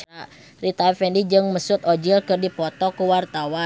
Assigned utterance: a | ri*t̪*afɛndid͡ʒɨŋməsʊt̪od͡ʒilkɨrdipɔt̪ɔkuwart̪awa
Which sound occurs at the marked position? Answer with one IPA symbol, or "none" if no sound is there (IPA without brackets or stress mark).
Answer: t̪